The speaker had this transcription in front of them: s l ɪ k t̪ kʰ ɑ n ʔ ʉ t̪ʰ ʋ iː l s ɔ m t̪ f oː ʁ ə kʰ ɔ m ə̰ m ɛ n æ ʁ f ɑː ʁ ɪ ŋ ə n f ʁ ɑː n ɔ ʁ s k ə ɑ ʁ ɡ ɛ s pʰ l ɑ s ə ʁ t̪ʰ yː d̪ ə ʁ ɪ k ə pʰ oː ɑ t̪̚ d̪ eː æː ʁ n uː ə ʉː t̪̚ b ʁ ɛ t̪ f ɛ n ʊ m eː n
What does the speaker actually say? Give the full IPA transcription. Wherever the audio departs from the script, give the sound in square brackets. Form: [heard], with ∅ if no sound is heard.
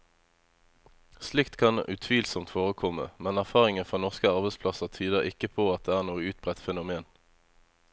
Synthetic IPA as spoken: s l ɪ k t̪ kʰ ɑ n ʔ ʉ t̪ʰ ʋ iː l s ɔ m t̪ f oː ʁ ə kʰ ɔ m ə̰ m ɛ n æ ʁ f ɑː ʁ ɪ ŋ ə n f ʁ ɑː n ɔ ʁ s k ə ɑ ʁ [b] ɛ s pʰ l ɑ s ə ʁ t̪ʰ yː d̪ ə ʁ ɪ k ə pʰ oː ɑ t̪̚ d̪ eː æː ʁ n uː ə ʉː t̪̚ b ʁ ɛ t̪ f ɛ n ʊ m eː n